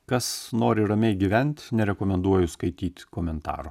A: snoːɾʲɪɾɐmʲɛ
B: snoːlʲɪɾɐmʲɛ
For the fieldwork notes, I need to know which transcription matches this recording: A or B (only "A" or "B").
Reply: A